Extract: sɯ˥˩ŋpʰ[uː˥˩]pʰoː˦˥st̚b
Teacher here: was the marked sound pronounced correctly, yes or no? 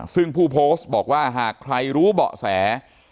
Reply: yes